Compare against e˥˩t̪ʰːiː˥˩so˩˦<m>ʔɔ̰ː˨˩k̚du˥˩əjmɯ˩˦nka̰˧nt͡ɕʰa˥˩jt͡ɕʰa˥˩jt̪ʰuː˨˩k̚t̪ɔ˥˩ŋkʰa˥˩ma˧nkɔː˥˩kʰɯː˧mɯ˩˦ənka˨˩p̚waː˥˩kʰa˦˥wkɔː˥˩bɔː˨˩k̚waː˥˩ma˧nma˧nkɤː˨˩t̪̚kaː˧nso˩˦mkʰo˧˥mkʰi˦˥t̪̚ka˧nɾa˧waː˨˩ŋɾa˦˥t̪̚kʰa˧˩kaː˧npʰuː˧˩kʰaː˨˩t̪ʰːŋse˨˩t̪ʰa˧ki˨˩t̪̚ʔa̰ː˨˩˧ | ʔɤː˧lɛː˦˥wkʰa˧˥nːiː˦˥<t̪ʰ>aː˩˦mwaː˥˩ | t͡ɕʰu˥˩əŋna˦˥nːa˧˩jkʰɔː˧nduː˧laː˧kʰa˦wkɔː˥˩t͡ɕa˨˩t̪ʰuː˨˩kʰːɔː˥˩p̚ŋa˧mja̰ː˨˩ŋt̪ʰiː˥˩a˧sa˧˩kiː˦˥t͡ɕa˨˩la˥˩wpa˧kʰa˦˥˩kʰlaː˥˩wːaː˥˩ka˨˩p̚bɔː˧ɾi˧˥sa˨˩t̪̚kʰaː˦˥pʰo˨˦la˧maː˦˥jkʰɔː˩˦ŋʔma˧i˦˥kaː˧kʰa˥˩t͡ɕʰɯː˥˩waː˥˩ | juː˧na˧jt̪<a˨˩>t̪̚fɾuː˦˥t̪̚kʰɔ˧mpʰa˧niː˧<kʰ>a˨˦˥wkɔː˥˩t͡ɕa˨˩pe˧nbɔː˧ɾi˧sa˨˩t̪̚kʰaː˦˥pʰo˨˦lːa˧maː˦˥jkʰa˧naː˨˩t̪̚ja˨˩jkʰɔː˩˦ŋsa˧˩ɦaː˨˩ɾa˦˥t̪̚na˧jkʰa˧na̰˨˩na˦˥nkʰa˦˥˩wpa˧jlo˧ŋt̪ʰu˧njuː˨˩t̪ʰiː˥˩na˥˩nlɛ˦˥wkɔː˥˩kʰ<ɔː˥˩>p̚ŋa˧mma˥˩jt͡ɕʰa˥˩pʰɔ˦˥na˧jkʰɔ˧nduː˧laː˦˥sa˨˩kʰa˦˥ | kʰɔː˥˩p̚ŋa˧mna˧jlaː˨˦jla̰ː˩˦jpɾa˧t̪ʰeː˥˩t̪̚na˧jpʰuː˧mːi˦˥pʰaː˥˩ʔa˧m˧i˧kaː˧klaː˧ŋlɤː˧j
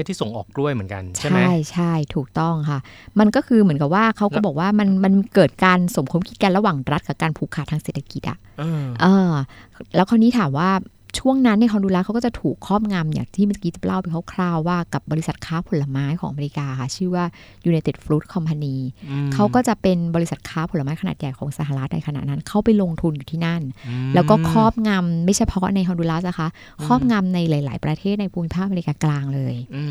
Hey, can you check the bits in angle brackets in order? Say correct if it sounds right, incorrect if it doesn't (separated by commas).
incorrect, correct, incorrect, correct, correct